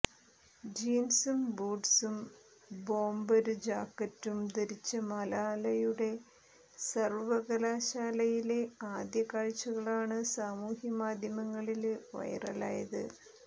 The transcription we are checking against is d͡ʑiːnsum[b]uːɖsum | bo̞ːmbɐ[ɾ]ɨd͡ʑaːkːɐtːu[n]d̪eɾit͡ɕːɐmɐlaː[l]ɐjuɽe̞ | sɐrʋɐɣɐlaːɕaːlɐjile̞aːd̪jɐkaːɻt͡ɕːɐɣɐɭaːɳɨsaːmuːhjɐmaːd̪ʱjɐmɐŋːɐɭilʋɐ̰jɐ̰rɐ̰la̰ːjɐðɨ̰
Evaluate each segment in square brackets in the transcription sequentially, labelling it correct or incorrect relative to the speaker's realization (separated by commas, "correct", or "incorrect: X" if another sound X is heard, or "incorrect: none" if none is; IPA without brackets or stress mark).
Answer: correct, correct, incorrect: m, correct